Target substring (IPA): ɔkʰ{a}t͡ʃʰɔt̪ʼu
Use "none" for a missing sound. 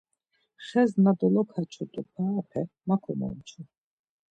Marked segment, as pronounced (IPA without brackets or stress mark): a